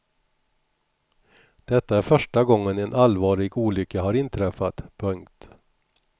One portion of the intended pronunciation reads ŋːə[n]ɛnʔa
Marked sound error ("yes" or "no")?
no